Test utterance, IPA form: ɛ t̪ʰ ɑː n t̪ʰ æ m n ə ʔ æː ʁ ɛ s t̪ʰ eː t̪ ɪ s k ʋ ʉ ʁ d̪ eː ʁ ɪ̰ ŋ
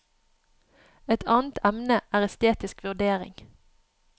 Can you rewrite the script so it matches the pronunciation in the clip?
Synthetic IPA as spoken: ɛ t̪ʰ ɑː n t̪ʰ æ m n ə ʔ æː ʁ ɛ s t̪ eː t̪ ɪ s k ʋ ʉ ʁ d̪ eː ʁ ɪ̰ ŋ